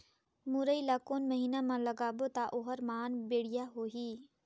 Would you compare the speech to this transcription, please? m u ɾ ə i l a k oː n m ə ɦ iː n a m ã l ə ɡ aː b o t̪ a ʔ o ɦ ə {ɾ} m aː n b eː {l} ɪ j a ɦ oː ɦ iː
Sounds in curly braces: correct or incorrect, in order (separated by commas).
correct, incorrect